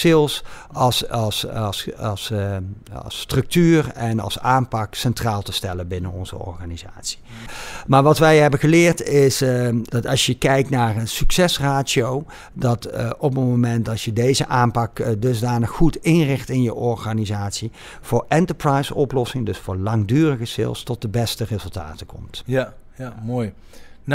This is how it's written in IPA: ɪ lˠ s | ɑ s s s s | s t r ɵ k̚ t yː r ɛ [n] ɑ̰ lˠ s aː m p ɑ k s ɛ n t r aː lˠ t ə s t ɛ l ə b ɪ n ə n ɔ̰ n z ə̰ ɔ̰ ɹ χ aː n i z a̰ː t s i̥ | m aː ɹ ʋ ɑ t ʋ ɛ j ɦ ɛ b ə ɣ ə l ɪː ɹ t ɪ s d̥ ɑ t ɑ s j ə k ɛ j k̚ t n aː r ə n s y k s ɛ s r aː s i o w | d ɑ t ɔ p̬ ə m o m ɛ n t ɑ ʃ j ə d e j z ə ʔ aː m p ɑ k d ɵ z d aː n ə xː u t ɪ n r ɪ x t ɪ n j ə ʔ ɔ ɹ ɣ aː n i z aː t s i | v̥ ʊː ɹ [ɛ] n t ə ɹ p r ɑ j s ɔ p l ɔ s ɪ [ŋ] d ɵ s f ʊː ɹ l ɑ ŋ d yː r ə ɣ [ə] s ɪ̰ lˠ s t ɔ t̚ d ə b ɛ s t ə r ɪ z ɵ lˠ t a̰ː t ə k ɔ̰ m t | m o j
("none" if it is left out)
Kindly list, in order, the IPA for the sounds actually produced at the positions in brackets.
n, ɛ, ŋ, ə

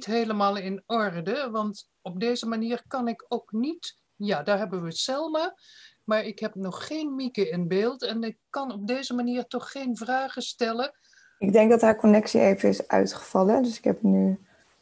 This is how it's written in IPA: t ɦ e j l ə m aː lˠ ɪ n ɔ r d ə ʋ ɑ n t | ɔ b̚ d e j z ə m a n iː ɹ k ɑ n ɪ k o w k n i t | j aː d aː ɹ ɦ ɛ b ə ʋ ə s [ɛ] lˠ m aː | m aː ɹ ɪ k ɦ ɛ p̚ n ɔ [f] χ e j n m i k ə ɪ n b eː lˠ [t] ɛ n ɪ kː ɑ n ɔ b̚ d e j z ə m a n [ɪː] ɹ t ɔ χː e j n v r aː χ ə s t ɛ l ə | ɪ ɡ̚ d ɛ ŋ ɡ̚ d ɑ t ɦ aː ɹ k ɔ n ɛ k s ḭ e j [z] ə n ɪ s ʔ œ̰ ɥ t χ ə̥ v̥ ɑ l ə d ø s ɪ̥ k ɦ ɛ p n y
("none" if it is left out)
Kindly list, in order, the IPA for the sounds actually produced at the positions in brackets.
ɛ, χ, t, iː, v

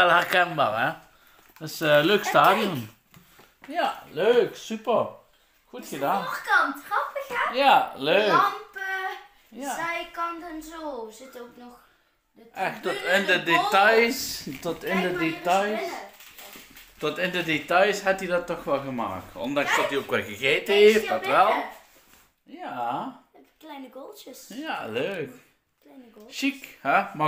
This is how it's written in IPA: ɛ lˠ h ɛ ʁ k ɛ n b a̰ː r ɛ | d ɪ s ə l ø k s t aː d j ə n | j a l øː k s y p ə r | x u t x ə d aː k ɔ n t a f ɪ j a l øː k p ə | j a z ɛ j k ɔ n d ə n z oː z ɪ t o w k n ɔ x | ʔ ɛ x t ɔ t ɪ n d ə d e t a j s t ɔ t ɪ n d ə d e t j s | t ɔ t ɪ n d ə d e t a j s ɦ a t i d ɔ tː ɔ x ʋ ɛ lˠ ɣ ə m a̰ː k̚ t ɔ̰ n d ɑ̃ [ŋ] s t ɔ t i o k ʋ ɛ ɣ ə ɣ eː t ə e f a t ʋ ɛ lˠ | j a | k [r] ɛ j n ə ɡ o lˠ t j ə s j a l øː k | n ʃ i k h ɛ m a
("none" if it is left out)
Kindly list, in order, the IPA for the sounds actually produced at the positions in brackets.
ŋ, l

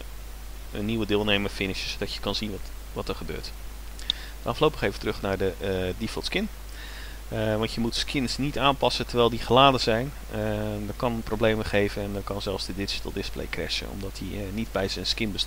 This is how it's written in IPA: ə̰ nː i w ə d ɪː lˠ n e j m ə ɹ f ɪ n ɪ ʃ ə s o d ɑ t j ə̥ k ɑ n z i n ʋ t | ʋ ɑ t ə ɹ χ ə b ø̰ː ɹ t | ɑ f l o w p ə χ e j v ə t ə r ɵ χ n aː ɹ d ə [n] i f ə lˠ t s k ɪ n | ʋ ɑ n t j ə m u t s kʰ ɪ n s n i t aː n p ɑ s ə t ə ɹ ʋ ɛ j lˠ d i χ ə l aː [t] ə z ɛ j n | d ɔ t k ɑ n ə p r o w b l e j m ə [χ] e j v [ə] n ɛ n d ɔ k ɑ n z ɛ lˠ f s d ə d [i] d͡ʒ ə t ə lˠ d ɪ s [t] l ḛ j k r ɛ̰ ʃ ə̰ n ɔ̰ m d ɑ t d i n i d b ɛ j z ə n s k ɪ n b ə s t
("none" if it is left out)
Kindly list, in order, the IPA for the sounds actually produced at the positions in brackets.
d, d, χ, ə, ɪ, p

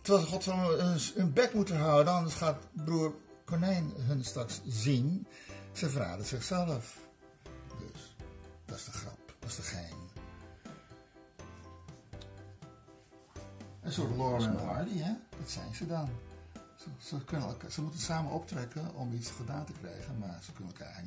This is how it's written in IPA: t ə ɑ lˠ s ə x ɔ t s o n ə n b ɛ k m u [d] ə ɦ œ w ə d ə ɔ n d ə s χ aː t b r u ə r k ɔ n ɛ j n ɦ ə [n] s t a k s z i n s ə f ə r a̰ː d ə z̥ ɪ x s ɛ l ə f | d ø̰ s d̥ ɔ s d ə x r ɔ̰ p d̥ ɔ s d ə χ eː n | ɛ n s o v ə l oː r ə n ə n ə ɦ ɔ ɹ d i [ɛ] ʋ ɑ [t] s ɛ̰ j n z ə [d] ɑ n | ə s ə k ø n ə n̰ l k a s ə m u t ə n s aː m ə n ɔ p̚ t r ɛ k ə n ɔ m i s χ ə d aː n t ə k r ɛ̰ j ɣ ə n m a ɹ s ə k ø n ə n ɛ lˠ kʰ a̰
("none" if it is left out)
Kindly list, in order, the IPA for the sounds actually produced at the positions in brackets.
t, n, ɛ, t, d

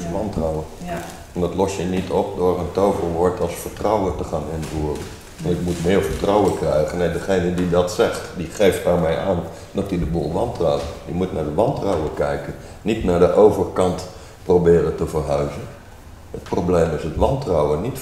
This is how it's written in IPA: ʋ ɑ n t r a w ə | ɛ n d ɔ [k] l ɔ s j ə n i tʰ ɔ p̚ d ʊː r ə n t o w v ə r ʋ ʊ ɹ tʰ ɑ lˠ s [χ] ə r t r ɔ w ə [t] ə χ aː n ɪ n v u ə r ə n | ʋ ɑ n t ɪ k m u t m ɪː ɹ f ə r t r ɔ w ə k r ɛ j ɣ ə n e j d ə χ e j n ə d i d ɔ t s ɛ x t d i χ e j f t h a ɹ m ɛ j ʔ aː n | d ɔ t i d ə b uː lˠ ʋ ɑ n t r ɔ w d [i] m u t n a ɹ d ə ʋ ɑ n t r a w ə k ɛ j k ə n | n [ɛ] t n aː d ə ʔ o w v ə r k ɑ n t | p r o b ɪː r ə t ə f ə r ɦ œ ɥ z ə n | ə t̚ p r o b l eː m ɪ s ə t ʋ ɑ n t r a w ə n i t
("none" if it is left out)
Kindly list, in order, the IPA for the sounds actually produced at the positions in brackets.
t, f, t, i, i

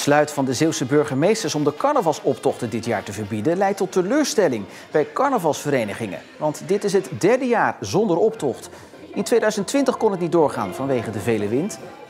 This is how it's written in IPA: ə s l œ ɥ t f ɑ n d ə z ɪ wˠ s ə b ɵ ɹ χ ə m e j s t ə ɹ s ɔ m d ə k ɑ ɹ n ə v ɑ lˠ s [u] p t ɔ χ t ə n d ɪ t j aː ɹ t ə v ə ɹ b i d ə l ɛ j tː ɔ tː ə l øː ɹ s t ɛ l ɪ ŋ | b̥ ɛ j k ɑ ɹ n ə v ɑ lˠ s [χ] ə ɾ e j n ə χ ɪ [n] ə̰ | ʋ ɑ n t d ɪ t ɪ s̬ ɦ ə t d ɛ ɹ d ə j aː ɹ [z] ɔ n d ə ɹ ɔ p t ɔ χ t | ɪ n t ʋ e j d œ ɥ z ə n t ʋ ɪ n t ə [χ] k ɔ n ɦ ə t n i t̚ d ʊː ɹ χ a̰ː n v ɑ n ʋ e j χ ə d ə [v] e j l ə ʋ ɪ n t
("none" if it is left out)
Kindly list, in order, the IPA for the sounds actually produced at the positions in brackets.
ɔ, f, ŋ, z, χ, v

